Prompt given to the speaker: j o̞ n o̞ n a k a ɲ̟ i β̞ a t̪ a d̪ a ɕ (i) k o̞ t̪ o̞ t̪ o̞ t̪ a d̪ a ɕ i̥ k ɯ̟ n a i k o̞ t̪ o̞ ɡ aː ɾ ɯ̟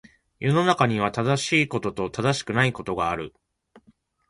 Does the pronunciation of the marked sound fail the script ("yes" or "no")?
yes